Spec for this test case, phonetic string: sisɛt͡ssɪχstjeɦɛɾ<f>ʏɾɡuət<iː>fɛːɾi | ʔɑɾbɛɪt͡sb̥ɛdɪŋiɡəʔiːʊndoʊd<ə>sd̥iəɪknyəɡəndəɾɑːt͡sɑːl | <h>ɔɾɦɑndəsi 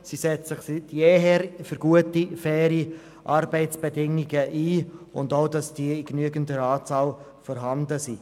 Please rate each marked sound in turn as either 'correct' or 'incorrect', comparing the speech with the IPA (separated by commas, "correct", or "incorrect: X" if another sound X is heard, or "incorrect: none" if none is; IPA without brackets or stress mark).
correct, incorrect: i, incorrect: ɑ, incorrect: f